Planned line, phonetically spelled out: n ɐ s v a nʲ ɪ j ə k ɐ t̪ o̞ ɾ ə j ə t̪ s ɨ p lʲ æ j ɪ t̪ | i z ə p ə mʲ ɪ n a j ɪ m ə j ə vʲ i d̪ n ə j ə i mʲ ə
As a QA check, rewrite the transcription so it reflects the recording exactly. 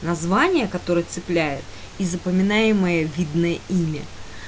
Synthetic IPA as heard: n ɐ z v a nʲ ɪ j ə k ɐ t̪ o̞ ɾ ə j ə t̪ s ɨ p lʲ æ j ɪ t̪ | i z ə p ə mʲ ɪ n a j ɪ m ə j ə vʲ i d̪ n ə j ə i mʲ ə

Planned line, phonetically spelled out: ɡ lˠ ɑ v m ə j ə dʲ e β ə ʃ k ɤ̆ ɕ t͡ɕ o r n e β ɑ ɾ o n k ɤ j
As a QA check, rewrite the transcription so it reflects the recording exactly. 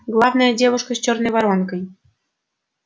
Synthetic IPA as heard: ɡ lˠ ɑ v n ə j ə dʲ e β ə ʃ k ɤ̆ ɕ t͡ɕ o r n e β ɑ ɾ o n k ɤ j

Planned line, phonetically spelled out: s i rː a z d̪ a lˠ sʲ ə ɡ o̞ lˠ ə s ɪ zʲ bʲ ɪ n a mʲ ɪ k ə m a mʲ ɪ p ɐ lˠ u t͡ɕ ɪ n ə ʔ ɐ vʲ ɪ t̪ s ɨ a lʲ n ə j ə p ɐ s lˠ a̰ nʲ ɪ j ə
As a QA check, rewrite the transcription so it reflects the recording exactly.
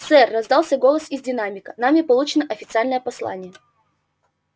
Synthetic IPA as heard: s ɛ rː ɐ z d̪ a lˠ sʲ ə ɡ o̞ lˠ ə s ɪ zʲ dʲ ɪ n a mʲ ɪ k ə n a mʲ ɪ p ɐ lˠ u t͡ɕ ɪ n ə ʔ ɐ fʲ ɪ t̪ s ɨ a lʲ n ə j ə p ɐ s lˠ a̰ nʲ ɪ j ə

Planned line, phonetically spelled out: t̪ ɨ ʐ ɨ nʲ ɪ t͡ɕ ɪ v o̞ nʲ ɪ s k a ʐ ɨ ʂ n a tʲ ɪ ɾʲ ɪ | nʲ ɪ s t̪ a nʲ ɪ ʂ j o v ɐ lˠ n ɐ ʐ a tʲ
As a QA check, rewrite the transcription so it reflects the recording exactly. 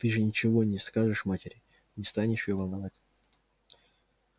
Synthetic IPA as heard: t̪ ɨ ʐ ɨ nʲ ɪ t͡ɕ ɪ v o̞ nʲ ɪ s k a ʐ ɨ ʂ m a tʲ ɪ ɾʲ ɪ | nʲ ɪ s t̪ a nʲ ɪ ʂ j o v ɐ lˠ n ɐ v a tʲ

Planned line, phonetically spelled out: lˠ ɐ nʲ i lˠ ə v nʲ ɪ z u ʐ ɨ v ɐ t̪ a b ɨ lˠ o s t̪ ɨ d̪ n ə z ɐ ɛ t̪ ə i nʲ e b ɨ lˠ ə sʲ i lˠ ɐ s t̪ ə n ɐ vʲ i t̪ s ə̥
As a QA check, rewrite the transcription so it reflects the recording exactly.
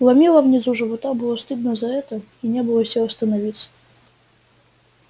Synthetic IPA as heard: lˠ ɐ mʲ i lˠ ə v nʲ ɪ z u ʐ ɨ v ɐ t̪ a b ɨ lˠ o s t̪ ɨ d̪ n ə z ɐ ɛ t̪ ə i nʲ e b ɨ lˠ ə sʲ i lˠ ɐ s t̪ ə n ɐ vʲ i t̪ s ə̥

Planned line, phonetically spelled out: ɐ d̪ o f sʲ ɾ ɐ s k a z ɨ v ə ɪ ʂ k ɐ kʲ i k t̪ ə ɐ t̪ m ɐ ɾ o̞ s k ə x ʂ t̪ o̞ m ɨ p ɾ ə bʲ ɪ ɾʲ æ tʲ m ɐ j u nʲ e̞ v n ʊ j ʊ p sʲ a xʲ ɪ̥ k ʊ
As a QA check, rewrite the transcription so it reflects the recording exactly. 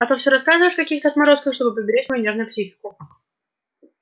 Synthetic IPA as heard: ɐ t̪ o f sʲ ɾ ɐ s k a z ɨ v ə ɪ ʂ k ɐ kʲ i x t̪ ə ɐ t̪ m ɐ ɾ o̞ s k ə x ʂ t̪ o̞ b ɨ p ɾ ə bʲ ɪ ɾʲ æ tʲ m ɐ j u nʲ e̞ ʐ n ʊ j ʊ p sʲ i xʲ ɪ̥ k ʊ

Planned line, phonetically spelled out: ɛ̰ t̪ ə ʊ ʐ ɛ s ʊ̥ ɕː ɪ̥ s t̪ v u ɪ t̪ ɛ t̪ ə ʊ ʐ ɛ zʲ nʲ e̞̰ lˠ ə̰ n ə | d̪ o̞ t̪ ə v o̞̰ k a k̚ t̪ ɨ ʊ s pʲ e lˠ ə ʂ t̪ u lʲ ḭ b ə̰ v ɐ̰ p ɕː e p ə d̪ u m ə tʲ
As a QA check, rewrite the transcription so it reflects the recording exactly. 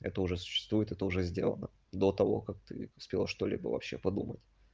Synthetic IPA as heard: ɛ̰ t̪ ə ʊ ʐ ɛ s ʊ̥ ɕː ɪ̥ s t̪ v u ɪ t̪ ɛ t̪ ə ʊ ʐ ɛ zʲ dʲ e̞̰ lˠ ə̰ n ə | d̪ o̞ t̪ ɐ v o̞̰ k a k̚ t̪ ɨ ʊ s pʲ e lˠ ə ʂ t̪ o lʲ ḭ b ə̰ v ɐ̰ p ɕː e p ɐ d̪ u m ə tʲ

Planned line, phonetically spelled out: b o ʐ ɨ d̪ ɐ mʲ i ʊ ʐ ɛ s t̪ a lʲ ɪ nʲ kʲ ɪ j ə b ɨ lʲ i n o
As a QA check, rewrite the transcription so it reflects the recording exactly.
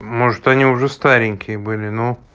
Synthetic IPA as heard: m o ʐ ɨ t̪ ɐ nʲ i ʊ ʐ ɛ s t̪ a ɾʲ ɪ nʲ kʲ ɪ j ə b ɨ lʲ ɪ n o

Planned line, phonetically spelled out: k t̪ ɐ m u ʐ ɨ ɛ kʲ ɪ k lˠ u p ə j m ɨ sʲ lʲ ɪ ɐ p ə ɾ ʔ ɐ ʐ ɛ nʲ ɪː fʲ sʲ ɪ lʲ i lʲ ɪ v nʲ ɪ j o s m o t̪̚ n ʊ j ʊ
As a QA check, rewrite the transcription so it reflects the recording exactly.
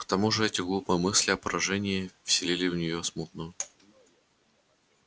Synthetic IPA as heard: k t̪ ɐ m u ʐ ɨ ɛ tʲ ɪ ɡ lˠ u p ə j m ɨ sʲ lʲ ɪ ɐ p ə ɾ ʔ ɐ ʐ ɛ nʲ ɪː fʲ sʲ ɪ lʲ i lʲ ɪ v nʲ ɪ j o s m u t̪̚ n ʊ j ʊ

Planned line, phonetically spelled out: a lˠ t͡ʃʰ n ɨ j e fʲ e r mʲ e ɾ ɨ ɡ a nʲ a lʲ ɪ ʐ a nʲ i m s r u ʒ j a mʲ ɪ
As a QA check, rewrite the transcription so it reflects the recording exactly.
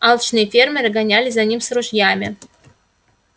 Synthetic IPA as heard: a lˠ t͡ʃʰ n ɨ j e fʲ e r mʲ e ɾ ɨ ɡ a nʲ a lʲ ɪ z a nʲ i m s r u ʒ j a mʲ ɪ

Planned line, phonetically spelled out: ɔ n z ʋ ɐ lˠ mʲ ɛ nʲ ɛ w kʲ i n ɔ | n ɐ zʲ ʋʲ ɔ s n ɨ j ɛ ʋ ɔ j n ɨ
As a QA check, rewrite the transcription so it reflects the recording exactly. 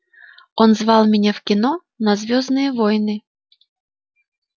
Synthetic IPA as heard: ɔ n z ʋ ɑ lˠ mʲ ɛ nʲ ɛ w kʲ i n ɔ | n ɐ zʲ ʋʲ ɔ z n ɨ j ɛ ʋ ɔ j n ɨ

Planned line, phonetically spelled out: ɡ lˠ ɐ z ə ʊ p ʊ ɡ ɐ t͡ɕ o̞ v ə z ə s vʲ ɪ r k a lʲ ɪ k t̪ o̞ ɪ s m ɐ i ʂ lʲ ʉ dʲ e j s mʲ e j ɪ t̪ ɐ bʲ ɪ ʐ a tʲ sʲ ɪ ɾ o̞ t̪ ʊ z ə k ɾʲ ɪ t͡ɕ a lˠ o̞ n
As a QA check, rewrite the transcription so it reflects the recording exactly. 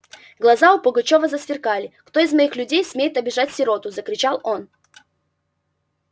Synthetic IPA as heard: ɡ lˠ ɐ z a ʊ p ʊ ɡ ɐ t͡ɕ o̞ v ə z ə s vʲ ɪ r k a lʲ ɪ k t̪ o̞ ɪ z m ɐ i x lʲ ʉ dʲ e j s mʲ e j ɪ t̪ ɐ bʲ ɪ ʐ a tʲ sʲ ɪ ɾ o̞ t̪ ʊ z ə k ɾʲ ɪ t͡ɕ a lˠ o̞ n

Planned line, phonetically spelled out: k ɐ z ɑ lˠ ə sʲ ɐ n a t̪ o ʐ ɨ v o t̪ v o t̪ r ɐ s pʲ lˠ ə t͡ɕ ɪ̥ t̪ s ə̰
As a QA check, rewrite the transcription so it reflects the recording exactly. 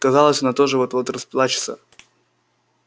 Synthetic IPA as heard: k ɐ z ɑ lˠ ə sʲ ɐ n a t̪ o ʐ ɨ v o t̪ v o t̪ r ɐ s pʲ lˠ a t͡ɕ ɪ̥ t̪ s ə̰

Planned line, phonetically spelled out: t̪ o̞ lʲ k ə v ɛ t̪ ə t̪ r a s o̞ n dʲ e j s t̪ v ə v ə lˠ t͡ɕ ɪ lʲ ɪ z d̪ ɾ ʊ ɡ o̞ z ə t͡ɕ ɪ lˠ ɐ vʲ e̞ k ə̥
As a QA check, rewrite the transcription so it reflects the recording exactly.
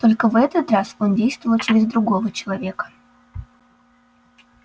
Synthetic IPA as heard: t̪ o̞ lʲ k ə v ɛ t̪ ə t̪ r a s o̞ n dʲ e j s t̪ v ə v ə lˠ t͡ɕ ɪ ɾʲ ɪ z d̪ ɾ ʊ ɡ o̞ v ə t͡ɕ ɪ lˠ ɐ vʲ e̞ k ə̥

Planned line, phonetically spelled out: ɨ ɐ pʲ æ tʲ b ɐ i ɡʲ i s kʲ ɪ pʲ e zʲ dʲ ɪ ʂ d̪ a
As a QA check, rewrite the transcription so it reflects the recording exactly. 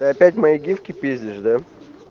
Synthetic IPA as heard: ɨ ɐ pʲ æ tʲ m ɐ i ɡʲ i f kʲ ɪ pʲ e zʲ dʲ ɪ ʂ d̪ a

